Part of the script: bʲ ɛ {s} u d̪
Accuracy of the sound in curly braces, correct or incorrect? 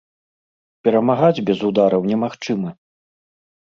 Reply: incorrect